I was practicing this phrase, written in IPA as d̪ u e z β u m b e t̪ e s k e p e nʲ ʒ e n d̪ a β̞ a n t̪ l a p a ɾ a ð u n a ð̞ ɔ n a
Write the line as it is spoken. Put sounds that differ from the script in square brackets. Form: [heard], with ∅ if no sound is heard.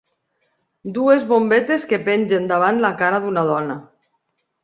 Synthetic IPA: d̪ u e z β [o] m b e t̪ e s k e p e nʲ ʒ e n d̪ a β̞ a n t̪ l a [k] a ɾ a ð u n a ð̞ ɔ n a